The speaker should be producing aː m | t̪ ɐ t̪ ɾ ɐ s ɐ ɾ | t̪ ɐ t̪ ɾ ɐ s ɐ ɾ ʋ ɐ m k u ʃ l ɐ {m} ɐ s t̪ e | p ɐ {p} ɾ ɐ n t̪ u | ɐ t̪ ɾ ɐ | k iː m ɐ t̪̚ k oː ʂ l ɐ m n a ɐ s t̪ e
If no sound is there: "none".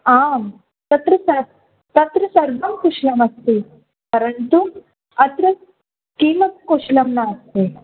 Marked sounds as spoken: m, none

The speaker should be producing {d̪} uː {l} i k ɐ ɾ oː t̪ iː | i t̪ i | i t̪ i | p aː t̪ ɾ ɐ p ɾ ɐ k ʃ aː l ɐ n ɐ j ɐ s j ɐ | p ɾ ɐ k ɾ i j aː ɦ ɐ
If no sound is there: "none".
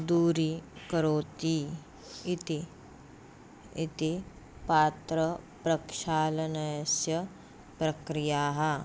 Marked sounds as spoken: d̪, ɾ

